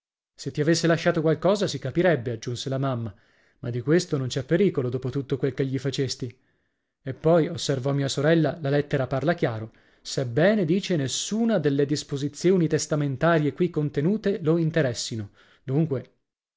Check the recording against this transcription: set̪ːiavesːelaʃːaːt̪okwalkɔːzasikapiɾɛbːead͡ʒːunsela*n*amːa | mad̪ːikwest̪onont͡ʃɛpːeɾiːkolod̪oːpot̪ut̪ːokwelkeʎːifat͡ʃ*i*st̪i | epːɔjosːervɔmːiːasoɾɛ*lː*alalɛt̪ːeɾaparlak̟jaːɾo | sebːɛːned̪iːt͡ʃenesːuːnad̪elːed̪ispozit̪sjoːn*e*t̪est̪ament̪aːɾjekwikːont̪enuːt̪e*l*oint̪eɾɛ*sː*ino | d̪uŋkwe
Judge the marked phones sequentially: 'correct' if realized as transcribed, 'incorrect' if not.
incorrect, incorrect, correct, incorrect, correct, correct

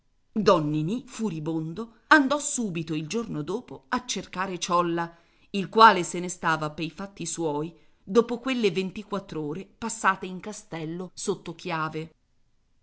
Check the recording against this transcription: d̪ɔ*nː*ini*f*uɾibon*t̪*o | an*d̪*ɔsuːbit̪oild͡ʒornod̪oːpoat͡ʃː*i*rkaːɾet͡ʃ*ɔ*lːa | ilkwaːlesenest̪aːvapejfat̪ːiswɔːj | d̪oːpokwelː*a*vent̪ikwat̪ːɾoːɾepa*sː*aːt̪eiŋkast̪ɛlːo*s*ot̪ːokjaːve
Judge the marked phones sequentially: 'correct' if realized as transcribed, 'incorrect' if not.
correct, correct, incorrect, correct, incorrect, correct, incorrect, correct, correct

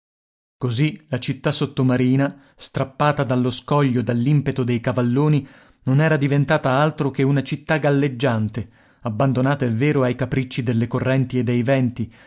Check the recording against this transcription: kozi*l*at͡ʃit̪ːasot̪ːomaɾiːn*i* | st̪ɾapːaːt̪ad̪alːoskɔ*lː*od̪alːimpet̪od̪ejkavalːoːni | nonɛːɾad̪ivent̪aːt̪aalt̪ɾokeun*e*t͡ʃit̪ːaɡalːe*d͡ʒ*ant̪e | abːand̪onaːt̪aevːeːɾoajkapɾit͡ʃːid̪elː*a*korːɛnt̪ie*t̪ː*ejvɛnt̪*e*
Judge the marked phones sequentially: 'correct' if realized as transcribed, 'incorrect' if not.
correct, incorrect, incorrect, incorrect, incorrect, incorrect, incorrect, incorrect

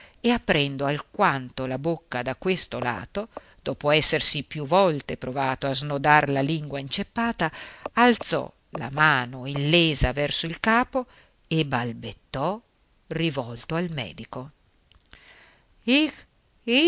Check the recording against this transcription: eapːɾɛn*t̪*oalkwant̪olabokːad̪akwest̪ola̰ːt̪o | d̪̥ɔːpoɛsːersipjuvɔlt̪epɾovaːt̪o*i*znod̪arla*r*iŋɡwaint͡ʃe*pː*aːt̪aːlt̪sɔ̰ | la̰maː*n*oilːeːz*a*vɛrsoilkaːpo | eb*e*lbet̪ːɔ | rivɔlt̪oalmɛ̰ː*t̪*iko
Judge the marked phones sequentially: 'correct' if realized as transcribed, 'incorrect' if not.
incorrect, incorrect, incorrect, correct, correct, correct, incorrect, incorrect

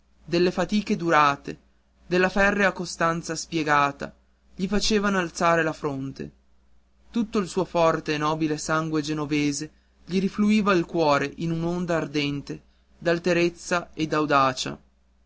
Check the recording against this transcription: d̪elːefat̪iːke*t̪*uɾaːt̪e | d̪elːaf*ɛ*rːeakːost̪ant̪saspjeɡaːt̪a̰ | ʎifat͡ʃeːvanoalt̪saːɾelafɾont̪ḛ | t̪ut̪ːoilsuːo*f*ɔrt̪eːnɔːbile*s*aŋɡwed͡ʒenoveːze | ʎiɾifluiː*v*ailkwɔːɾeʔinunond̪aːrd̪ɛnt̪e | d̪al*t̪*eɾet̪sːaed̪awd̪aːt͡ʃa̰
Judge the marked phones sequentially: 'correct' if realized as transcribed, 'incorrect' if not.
incorrect, correct, correct, correct, correct, correct

